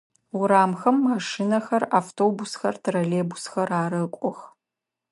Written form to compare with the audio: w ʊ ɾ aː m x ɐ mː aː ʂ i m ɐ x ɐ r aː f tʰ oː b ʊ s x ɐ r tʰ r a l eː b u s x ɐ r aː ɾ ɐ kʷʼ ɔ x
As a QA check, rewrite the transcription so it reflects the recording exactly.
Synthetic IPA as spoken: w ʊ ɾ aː m x ɐ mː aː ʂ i n ɐ x ɐ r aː f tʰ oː b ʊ s x ɐ r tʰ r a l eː b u s x ɐ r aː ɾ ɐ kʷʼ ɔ x